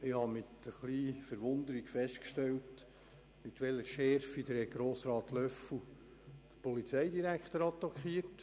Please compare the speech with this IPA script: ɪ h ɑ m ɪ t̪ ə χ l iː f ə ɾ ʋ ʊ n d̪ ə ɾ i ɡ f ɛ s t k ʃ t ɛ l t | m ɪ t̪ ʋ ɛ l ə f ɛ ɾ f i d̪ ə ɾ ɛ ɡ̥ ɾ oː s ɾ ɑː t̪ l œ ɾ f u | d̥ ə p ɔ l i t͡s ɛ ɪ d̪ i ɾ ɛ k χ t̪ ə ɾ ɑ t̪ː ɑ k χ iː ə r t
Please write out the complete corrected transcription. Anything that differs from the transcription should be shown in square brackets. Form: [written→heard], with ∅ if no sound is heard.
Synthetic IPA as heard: ɪ h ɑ m ɪ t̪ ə χ l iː f ə ɾ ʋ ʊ n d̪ ə ɾ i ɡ f ɛ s t k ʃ t ɛ l t | m ɪ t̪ ʋ ɛ l ə [f→ʃ] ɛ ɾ f i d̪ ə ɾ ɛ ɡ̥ ɾ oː s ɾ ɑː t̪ l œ [ɾ→∅] f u | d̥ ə p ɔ l i t͡s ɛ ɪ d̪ i ɾ [ɛ→æ] k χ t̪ ə ɾ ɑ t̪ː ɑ k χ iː ə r t